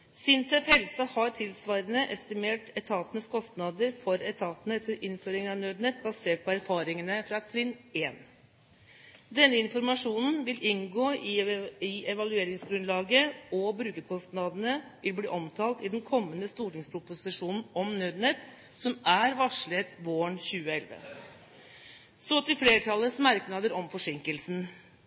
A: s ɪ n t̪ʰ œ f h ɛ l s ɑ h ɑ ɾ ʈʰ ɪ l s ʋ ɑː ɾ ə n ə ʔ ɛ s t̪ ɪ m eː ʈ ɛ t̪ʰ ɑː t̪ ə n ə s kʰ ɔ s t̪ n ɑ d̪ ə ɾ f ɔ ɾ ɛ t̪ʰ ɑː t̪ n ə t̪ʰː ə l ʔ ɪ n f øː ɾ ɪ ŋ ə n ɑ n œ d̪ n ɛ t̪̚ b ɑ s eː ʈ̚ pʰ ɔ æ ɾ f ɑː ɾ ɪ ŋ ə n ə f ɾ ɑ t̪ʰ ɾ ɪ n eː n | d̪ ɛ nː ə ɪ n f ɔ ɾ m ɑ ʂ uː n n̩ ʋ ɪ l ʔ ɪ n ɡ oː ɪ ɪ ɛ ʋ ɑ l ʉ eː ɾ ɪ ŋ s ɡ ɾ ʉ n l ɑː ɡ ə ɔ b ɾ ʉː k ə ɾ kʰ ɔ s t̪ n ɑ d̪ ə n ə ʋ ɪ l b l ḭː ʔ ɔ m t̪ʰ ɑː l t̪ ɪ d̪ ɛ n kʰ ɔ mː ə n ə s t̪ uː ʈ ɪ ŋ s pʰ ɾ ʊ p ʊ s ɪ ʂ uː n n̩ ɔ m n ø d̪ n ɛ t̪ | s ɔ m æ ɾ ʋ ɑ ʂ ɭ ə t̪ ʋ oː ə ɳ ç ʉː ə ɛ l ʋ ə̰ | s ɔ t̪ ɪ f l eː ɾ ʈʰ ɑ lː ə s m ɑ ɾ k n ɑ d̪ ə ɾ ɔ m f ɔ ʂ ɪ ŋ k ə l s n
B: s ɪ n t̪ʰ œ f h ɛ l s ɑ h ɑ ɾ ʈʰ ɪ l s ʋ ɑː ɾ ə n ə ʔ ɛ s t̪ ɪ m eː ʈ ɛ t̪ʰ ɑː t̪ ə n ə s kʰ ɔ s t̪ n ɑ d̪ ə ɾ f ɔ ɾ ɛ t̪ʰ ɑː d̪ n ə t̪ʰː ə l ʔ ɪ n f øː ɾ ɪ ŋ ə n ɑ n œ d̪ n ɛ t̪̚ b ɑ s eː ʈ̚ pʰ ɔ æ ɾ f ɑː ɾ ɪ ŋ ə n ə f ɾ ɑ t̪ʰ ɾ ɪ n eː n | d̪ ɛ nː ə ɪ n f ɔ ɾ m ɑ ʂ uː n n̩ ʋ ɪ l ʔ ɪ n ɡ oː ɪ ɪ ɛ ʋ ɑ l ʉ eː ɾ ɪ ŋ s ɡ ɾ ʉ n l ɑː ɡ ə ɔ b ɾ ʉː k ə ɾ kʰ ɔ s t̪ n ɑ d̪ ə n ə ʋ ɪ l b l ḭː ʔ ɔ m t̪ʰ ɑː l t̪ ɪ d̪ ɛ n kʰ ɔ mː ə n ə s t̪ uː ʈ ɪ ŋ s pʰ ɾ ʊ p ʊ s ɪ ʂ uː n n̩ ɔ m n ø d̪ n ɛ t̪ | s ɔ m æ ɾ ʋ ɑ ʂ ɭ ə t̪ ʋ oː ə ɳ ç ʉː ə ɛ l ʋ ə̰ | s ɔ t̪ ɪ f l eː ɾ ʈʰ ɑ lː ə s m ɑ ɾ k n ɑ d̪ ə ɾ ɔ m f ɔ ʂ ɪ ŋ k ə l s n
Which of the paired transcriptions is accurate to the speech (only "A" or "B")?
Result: A